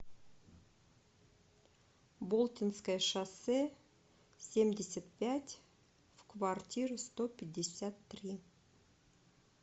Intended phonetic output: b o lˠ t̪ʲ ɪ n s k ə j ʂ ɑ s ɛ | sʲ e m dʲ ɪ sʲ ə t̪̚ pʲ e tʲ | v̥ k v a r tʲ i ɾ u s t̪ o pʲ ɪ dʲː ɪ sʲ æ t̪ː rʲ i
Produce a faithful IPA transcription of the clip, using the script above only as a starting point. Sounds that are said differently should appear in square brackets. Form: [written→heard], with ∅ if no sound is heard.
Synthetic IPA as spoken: b o lˠ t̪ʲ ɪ n s k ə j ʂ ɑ s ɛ | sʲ e m dʲ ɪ sʲ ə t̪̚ pʲ [e→æ] tʲ | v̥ k v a r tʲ i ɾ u s t̪ o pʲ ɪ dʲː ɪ sʲ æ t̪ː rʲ i